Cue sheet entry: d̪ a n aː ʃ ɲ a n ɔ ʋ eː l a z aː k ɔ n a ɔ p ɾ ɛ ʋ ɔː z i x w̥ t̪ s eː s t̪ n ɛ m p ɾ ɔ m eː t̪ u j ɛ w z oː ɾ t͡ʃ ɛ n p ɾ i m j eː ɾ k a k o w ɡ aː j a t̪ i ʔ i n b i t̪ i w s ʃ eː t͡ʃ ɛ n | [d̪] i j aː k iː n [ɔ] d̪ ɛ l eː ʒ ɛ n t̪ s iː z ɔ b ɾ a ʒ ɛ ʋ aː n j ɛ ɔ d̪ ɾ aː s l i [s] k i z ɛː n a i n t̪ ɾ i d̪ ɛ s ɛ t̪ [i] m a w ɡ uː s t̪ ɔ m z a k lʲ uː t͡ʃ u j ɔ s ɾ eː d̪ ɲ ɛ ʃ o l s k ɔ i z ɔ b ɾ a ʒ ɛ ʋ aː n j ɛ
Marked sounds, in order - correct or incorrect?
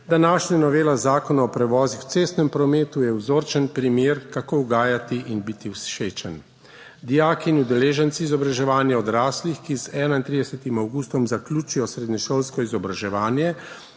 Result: correct, incorrect: u, incorrect: x, correct

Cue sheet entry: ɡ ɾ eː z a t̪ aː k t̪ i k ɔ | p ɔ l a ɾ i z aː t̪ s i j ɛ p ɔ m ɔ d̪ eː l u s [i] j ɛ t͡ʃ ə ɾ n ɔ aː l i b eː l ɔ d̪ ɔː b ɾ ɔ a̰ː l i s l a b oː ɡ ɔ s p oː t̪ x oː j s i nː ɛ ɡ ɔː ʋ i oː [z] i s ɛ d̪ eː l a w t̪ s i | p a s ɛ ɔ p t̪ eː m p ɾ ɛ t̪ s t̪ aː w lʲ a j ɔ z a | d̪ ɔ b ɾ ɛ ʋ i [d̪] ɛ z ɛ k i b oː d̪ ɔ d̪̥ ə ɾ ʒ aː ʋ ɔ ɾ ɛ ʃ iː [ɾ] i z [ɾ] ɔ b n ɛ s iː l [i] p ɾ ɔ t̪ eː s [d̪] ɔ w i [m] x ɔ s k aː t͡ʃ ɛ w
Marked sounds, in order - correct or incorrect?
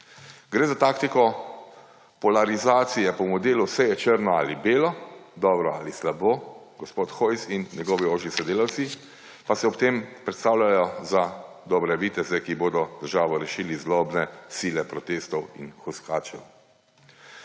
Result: incorrect: ɛ, incorrect: ʒ, incorrect: t̪, incorrect: l, incorrect: l, incorrect: ɛ, incorrect: t̪, incorrect: n

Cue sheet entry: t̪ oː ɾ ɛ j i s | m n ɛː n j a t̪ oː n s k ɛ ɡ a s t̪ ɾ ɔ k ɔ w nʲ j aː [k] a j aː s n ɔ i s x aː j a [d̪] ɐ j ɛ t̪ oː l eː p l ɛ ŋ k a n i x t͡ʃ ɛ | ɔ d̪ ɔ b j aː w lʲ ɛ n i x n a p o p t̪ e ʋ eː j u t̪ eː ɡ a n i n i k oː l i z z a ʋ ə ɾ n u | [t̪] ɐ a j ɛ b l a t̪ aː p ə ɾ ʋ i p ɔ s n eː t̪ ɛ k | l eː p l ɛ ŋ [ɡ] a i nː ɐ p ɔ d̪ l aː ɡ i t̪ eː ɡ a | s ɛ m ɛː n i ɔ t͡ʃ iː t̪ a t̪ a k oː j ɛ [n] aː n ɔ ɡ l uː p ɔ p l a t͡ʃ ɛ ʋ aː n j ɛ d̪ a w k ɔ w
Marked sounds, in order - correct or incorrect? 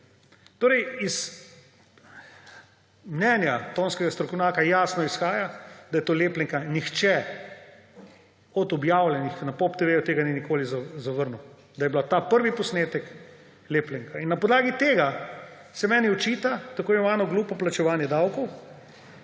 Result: correct, correct, incorrect: d̪, incorrect: k, incorrect: m

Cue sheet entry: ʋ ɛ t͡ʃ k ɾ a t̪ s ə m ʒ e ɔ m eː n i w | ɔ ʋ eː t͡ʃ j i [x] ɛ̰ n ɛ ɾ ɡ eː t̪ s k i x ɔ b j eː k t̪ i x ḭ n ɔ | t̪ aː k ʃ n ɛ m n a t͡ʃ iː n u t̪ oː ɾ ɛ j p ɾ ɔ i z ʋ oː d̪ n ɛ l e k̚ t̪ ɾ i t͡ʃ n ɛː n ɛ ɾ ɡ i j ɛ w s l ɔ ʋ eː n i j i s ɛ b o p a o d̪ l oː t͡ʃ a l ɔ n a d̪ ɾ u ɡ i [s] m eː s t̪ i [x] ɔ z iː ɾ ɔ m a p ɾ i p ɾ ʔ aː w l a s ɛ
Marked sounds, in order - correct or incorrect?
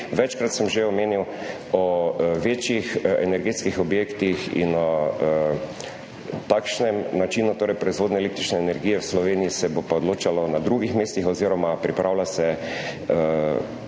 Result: correct, incorrect: x, correct

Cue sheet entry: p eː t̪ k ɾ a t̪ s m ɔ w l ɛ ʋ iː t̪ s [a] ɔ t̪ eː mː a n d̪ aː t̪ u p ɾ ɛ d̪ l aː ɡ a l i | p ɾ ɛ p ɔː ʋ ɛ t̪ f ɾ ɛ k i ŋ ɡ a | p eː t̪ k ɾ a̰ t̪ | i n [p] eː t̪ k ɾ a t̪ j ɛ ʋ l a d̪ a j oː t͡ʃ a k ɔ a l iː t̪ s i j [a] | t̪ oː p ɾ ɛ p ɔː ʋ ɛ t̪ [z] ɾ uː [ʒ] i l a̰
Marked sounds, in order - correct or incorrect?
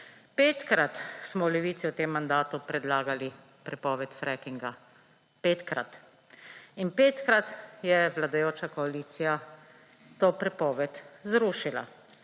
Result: incorrect: i, correct, correct, correct, incorrect: ʃ

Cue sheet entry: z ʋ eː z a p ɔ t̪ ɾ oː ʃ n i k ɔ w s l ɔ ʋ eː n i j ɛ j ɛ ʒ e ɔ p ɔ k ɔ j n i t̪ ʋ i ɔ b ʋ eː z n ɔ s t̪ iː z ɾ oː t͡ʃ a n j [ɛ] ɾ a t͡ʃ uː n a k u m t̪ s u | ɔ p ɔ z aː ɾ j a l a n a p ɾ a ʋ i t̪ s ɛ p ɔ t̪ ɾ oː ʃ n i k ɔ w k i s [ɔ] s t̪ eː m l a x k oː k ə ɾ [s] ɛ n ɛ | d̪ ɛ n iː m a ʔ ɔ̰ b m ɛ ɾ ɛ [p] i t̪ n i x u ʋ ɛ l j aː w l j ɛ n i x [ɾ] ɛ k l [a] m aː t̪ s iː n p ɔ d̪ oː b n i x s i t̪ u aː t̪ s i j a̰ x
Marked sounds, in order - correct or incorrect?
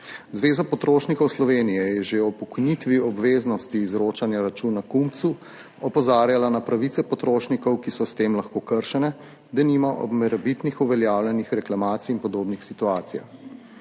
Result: incorrect: a, correct, incorrect: ʃ, incorrect: b, correct, correct

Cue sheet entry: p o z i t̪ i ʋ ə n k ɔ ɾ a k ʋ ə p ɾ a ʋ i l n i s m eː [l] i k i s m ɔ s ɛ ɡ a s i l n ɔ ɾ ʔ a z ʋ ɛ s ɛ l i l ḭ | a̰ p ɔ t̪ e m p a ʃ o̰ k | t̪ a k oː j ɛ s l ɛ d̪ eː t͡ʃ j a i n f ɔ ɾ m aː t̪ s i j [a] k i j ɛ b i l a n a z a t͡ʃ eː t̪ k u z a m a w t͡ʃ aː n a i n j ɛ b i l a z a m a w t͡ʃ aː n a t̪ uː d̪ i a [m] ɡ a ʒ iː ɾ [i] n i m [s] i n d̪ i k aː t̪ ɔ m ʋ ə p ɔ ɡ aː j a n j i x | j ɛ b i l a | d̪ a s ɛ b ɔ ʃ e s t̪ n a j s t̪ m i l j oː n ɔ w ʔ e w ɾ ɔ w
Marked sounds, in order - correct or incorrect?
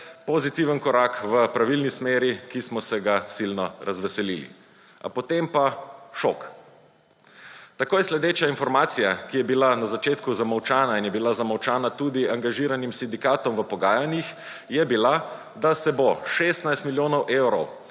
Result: incorrect: ɾ, correct, incorrect: ŋ, incorrect: a, correct

